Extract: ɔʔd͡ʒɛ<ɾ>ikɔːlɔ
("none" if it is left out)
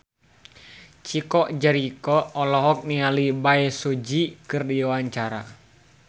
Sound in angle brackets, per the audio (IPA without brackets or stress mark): ɾ